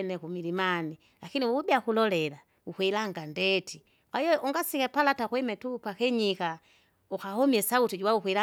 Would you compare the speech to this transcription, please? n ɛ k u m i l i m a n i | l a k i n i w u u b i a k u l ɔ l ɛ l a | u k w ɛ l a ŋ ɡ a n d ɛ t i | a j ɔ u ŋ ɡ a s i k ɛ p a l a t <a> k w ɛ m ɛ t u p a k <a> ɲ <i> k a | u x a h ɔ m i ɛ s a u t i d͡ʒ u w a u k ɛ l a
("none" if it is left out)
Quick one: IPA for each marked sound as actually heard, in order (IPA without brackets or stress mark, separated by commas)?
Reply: a, ɛ, i